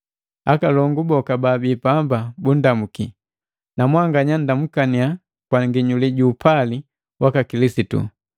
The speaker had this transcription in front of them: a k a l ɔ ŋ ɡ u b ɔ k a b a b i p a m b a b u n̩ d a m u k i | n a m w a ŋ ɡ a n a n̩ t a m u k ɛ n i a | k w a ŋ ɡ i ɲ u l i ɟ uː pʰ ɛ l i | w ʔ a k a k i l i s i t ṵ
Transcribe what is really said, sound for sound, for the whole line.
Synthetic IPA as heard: a k a l ɔ ŋ ɡ u b ɔ k a b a b i p a m b a b u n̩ d a m u k i | n a m w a ŋ ɡ a ɲ a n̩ d a m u k a n i a | k w a ŋ ɡ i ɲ u l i ɟ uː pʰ a l i | w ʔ a k a k i l i s i t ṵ